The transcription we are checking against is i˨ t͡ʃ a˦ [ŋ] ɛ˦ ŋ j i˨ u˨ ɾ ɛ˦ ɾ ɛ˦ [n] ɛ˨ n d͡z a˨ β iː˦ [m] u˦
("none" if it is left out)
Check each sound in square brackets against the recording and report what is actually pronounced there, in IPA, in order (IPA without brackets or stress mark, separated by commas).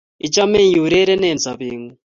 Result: m, n, ŋ